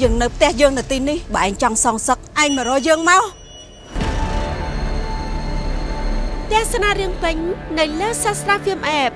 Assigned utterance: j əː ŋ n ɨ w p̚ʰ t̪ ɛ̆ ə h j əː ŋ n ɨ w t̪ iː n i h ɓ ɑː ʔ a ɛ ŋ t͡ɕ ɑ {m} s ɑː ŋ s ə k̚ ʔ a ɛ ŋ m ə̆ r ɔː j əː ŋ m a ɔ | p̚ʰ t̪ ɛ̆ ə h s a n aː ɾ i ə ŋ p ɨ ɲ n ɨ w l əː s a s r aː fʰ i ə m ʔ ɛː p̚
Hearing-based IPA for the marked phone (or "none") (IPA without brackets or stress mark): ŋ